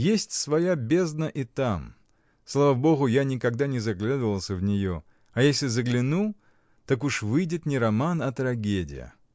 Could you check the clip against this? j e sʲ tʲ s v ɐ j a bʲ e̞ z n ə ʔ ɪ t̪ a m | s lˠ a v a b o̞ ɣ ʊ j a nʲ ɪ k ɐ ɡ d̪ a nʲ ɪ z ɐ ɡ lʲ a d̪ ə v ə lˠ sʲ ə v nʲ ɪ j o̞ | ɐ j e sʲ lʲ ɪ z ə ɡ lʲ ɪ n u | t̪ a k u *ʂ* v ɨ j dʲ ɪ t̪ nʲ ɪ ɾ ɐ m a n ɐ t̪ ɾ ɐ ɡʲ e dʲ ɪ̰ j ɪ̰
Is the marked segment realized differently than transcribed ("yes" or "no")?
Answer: no